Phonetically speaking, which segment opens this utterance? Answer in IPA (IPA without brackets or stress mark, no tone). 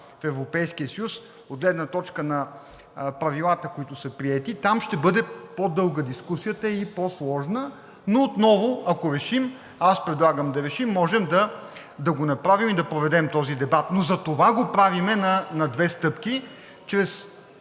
f